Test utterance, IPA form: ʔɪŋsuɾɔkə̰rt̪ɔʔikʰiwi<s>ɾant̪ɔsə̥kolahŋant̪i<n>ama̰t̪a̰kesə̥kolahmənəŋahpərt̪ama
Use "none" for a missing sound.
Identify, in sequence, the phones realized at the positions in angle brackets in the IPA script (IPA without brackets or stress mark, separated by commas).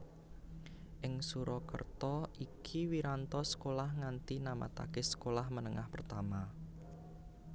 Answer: none, n